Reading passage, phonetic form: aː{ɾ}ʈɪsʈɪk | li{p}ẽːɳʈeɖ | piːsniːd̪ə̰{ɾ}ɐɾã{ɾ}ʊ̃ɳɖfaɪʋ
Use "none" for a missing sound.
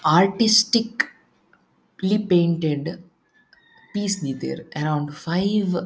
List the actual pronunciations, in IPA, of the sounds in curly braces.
ɾ, p, ɾ, none

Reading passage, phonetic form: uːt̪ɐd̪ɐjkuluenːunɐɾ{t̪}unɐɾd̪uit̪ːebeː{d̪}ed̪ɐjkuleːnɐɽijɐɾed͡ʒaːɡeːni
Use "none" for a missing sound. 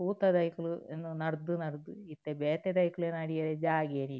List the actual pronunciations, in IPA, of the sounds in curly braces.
d̪, t̪

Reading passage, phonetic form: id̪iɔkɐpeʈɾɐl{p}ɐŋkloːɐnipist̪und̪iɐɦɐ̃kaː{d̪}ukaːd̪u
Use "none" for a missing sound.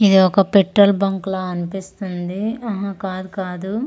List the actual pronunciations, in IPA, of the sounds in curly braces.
b, d̪

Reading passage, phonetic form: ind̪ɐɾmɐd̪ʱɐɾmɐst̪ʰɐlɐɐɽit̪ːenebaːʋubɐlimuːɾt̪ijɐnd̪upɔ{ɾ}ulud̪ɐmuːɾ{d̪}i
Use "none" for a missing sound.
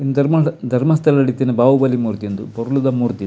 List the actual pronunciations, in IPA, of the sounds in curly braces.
ɾ, t̪

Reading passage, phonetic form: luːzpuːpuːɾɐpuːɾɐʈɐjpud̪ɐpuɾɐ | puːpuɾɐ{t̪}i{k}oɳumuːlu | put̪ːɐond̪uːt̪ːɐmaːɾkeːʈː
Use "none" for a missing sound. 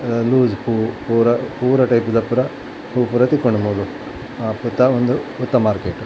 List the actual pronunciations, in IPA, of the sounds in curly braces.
t̪, k

